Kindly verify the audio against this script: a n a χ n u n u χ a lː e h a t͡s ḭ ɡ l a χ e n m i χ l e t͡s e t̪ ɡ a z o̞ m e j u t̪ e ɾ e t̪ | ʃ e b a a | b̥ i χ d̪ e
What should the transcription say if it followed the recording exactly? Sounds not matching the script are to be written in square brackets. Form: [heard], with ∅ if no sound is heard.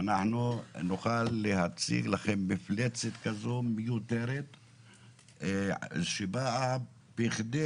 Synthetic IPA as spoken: a n a [ħ] n u n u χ a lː e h a t͡s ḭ ɡ l a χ e n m i [f] l e t͡s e t̪ [k] a z o̞ m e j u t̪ e ɾ e t̪ | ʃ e b a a | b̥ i χ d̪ e